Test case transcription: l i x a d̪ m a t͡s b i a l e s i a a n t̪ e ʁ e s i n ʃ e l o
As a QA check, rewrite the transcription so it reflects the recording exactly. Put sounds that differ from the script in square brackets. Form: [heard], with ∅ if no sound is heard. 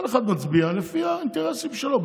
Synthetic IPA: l [e] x a d̪ m a t͡s b i a l e [f] i a [i] n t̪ e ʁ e s i [m] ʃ e l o